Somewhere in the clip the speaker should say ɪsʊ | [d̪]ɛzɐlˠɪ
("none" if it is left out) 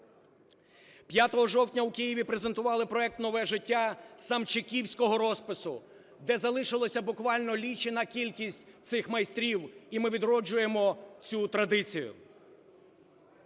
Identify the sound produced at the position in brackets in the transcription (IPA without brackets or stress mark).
d̪